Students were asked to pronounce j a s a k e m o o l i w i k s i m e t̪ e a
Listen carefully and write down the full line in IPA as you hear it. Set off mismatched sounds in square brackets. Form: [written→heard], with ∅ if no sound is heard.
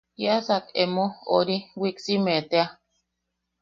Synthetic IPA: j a s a k e m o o [l→ɾ] i w i k s i m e t̪ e a